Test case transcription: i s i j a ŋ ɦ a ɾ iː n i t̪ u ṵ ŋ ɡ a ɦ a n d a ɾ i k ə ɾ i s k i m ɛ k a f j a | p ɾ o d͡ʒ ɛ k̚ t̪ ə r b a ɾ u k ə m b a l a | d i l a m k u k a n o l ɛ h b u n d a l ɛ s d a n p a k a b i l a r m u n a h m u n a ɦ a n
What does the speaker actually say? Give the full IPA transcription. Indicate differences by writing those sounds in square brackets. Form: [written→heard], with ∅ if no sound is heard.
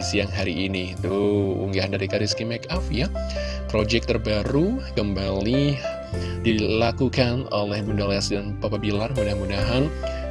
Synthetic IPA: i s i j a ŋ ɦ a ɾ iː n i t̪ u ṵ ŋ ɡ a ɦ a n d a ɾ i k [ə→a] ɾ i s k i m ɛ k a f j a | p ɾ o d͡ʒ ɛ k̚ t̪ ə r b a ɾ u k ə m b a l [a→i] | d i l a [m→∅] k u k a n o l ɛ h b u n d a l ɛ s d a n p a [k→p] a b i l a r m u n a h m u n a ɦ a n